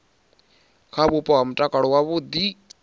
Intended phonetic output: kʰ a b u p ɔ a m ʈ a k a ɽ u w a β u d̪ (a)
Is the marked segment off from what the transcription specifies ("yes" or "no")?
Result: yes